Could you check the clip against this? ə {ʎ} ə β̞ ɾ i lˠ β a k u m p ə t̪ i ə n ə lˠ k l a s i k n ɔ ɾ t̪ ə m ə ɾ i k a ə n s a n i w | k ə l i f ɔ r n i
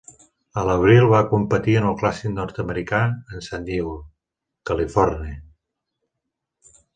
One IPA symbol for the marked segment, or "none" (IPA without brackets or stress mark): l